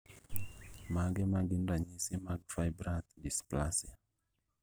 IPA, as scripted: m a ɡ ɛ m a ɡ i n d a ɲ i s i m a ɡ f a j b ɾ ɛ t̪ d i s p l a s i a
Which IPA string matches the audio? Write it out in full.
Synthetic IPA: m a ɡ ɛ m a ɡ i n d a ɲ i s i m a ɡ f a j b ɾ a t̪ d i s p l a s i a